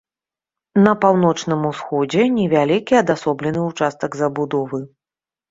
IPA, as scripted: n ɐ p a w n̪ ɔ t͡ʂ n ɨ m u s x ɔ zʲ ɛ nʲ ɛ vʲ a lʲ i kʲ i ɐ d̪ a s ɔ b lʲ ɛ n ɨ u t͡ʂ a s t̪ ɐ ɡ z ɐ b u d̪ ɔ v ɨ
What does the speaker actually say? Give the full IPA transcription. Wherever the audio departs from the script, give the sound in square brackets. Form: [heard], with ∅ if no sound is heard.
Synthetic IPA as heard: n ɐ p a w n̪ ɔ t͡ʂ n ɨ m u s x ɔ [d͡zʲ] ɛ nʲ ɛ vʲ a lʲ i kʲ i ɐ d̪ a s ɔ b lʲ ɛ n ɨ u t͡ʂ a s t̪ ɐ ɡ z ɐ b u d̪ ɔ v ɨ